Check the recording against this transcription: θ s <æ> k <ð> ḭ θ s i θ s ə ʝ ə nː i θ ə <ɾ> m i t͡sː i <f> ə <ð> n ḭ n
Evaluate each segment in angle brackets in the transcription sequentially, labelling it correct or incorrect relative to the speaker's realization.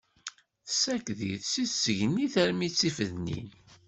correct, correct, correct, correct, correct

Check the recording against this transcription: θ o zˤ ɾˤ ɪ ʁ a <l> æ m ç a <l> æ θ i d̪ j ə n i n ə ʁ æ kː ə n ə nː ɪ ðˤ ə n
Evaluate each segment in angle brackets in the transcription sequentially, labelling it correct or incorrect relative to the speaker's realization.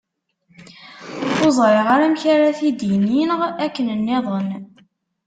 incorrect: ɾ, incorrect: ɾ

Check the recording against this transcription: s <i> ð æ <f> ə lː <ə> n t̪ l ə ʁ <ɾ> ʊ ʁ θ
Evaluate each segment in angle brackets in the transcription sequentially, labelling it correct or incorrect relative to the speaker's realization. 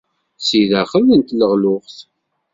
correct, incorrect: χ, correct, incorrect: l

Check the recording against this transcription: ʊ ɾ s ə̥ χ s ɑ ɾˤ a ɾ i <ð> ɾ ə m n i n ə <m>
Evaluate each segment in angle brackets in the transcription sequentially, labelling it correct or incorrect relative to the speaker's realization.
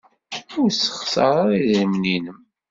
correct, correct

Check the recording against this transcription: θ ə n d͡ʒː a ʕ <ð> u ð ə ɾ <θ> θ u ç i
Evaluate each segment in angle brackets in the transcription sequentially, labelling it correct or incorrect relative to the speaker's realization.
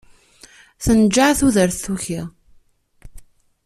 incorrect: θ, correct

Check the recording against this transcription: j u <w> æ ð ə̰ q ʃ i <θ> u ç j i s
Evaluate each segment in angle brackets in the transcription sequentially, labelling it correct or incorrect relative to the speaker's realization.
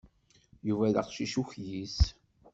incorrect: v, incorrect: ʃ

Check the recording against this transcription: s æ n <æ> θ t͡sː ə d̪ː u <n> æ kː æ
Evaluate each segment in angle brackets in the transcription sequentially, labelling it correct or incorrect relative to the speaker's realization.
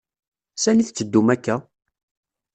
incorrect: i, incorrect: m

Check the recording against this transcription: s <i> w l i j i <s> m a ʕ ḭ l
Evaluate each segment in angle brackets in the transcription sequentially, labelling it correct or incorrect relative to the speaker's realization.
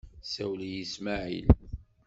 incorrect: æ, correct

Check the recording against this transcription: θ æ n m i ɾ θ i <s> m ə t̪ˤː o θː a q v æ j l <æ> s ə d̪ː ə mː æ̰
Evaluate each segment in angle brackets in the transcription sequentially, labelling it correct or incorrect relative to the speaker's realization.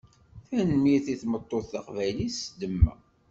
incorrect: θ, incorrect: i

